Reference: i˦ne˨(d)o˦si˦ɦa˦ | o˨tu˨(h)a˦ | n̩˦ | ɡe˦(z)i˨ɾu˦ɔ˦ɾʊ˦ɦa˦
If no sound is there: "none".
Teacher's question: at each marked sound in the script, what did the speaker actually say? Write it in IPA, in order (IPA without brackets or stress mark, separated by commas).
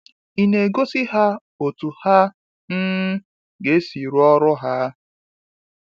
ɡ, h, s